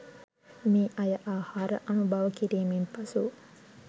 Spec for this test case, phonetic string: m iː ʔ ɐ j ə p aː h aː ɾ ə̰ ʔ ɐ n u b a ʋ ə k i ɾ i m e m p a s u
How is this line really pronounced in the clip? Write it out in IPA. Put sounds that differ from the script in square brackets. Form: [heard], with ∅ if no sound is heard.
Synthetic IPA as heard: m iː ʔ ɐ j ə [ʔ] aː h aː ɾ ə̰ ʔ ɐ n u b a ʋ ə k i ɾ [iː] m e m p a s u